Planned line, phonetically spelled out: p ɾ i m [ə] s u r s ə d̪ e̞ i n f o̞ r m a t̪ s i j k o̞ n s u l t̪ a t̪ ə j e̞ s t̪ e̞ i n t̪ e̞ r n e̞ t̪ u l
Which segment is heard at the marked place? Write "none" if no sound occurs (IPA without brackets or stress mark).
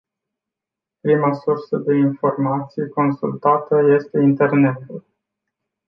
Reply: a